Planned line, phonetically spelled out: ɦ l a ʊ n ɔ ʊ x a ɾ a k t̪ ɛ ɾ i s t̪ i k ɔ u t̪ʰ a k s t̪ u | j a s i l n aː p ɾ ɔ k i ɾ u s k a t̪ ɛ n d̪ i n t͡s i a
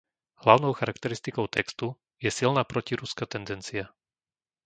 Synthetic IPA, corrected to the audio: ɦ l a ʊ n ɔ ʊ x a ɾ a k t̪ ɛ ɾ i s t̪ i k ɔ ʊ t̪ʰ ɛ k s t̪ u | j ɛ s i l n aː p ɾ ɔ c i ɾ u s k a t̪ ɛ n d̪ ɛ n t͡s i a